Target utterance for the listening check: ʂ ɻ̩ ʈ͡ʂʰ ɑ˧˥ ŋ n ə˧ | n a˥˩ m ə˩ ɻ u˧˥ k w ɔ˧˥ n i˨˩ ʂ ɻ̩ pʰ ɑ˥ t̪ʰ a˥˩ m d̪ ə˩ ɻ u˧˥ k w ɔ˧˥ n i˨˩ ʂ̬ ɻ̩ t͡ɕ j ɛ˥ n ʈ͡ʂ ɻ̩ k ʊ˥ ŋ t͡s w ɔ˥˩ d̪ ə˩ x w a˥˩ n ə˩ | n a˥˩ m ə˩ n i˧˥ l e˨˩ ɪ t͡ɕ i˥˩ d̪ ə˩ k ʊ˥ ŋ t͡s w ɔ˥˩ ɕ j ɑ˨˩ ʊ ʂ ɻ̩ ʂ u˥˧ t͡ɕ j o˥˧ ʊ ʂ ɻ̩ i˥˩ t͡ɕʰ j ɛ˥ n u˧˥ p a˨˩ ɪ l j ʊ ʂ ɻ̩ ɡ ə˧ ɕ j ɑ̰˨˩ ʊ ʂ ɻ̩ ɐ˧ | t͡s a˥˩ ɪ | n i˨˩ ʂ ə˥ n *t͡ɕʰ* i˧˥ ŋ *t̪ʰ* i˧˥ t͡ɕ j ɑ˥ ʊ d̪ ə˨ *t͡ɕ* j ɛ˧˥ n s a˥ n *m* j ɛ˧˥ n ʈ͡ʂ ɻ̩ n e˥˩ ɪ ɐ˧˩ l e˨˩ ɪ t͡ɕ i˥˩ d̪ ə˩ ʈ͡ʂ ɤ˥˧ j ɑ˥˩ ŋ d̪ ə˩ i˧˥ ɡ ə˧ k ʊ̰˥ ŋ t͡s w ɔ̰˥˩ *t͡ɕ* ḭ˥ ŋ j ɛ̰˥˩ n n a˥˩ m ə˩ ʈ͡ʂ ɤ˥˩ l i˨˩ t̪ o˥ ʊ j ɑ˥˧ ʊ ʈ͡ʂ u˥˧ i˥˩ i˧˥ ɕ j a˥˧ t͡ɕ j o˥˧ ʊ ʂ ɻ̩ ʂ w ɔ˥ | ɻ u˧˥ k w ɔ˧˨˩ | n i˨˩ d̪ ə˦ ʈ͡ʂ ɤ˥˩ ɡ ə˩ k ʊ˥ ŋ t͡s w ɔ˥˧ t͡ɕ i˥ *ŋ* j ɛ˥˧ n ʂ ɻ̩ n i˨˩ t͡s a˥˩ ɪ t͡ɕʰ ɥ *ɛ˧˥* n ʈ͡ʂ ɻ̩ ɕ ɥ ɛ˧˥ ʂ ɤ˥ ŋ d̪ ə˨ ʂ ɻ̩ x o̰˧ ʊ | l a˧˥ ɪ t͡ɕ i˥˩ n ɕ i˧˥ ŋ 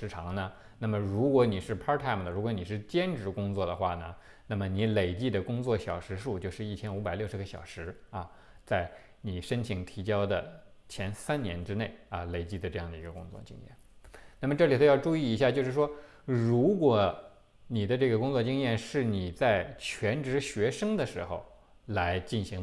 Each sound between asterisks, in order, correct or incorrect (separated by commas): correct, correct, incorrect, incorrect, correct, correct, correct